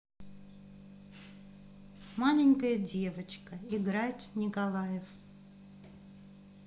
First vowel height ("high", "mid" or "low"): low